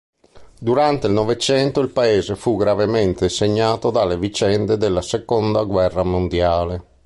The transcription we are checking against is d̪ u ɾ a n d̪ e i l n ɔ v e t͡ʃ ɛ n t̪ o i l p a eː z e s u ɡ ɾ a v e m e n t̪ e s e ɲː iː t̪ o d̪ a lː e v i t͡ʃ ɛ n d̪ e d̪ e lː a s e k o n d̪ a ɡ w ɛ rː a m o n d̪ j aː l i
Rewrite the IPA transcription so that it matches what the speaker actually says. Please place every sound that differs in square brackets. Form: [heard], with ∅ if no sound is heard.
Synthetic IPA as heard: d̪ u ɾ a n [t̪] e i l n ɔ v e t͡ʃ ɛ n t̪ o i l p a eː z e [f] u ɡ ɾ a v e m e n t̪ e s e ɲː [aː] t̪ o d̪ a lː e v i t͡ʃ ɛ n d̪ e d̪ e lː a s e k o n d̪ a ɡ w ɛ rː a m o n d̪ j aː l [e]